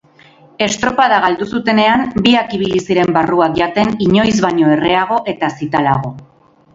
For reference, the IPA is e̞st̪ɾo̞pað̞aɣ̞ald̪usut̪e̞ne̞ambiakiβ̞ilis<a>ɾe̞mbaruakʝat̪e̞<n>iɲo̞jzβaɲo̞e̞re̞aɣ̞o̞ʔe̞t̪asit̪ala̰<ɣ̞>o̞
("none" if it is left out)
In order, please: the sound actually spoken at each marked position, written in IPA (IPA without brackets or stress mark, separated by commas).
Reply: i, n, ɣ̞